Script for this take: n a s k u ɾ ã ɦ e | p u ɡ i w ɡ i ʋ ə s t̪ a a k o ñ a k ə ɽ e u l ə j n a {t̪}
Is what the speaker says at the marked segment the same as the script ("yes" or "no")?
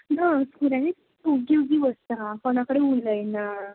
no